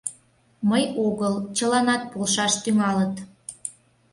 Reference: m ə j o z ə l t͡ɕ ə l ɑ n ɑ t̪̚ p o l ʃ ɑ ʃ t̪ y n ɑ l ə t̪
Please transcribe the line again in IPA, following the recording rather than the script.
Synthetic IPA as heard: m ə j o ɣ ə l t͡ɕ ə l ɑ n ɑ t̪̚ p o l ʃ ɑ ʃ t̪ y ŋ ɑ l ə t̪